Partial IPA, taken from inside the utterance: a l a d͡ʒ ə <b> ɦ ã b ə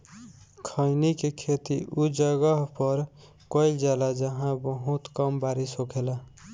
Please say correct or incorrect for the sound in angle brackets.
incorrect